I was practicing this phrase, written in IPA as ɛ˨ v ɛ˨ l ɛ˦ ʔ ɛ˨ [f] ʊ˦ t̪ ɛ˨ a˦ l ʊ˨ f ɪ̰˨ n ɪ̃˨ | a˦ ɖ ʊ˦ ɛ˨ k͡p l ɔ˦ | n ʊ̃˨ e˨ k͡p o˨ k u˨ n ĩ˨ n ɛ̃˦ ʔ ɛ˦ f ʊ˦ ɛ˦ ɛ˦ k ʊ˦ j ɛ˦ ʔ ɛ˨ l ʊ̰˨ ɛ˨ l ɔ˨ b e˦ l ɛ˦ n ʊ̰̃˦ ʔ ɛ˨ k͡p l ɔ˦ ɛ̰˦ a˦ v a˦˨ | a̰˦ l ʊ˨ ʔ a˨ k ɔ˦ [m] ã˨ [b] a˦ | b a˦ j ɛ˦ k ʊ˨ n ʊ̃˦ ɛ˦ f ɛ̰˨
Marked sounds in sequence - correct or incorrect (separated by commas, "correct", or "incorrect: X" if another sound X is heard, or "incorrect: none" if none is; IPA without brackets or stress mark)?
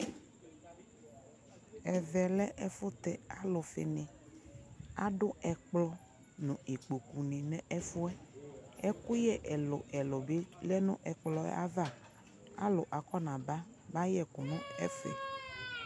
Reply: correct, incorrect: n, correct